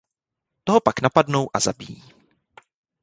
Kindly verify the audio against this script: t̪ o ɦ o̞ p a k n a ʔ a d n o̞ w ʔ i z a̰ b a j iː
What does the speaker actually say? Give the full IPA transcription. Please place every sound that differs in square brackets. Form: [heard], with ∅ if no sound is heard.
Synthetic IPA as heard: t̪ o ɦ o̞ p a k n a [p] a d n o̞ w ʔ [a] z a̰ b [i] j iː